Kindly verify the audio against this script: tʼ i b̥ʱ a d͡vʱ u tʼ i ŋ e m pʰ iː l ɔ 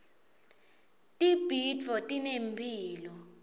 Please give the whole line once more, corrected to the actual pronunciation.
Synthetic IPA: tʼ i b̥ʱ i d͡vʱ ɔ tʼ i n e m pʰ iː l ɔ